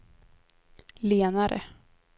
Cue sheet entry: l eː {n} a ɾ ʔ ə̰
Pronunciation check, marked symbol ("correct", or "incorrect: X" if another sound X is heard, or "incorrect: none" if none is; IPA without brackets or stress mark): correct